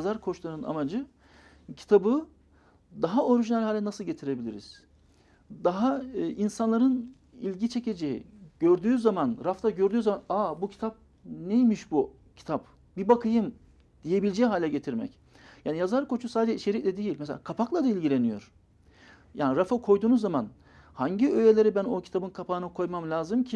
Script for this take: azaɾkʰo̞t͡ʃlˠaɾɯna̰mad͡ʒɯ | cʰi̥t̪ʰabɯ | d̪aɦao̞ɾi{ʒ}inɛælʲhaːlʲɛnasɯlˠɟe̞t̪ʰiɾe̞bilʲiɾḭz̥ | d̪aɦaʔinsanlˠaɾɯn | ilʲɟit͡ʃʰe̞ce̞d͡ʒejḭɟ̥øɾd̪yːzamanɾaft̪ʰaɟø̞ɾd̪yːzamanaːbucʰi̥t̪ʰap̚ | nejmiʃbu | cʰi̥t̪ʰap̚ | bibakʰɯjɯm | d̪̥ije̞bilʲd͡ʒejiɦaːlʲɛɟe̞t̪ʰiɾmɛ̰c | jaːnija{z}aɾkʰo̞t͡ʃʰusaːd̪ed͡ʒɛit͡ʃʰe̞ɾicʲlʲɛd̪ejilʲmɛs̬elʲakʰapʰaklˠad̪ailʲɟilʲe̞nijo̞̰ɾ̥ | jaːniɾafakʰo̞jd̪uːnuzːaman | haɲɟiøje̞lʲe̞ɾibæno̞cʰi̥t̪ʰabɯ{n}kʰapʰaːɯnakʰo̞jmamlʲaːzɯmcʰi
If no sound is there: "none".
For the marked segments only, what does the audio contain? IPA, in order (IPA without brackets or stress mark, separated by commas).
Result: ʒ, z, n